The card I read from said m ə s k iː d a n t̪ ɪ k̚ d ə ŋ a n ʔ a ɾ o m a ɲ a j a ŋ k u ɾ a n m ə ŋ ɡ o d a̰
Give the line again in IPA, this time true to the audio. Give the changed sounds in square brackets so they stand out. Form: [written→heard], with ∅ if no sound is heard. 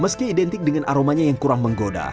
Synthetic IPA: m ə s k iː d [a→ɛ] n t̪ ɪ k̚ d ə ŋ a n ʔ a ɾ o m a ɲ a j a ŋ k u ɾ a [n→ŋ] m ə ŋ ɡ o d a̰